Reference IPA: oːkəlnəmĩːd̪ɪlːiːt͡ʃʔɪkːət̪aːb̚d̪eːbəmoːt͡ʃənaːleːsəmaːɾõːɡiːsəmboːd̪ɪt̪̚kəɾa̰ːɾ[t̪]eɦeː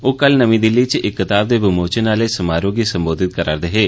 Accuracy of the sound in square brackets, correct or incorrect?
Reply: incorrect